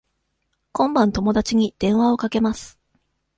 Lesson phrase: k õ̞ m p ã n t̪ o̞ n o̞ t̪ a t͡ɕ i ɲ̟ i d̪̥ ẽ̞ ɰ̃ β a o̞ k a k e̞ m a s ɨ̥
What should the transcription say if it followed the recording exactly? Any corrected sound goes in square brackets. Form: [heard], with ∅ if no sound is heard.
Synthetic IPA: k õ̞ m [b] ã n t̪ o̞ [m] o̞ [d̪] a t͡ɕ i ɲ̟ i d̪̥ ẽ̞ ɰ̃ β a o̞ k a k e̞ m a s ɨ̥